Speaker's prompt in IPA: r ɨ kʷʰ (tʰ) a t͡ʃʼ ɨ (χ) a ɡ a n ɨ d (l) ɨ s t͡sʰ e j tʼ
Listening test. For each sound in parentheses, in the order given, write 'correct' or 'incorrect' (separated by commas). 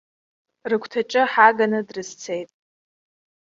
correct, incorrect, incorrect